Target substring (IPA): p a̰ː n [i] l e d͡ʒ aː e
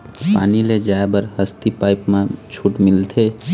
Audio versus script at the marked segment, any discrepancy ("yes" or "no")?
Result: no